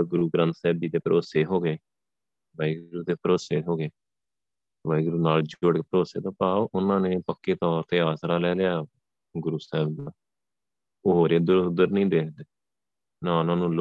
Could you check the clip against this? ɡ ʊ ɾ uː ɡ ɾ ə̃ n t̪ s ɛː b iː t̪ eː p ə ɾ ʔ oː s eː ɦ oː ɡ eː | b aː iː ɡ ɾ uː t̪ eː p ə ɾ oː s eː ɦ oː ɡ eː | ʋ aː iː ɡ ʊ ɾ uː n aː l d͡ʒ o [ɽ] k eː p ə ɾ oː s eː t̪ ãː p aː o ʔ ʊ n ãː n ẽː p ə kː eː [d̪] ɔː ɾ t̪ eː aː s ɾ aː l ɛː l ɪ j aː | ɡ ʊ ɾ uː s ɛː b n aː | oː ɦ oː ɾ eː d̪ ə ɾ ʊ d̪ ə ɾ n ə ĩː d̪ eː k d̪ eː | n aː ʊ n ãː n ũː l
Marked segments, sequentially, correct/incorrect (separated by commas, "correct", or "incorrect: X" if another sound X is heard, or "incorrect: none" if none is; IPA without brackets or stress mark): correct, incorrect: t̪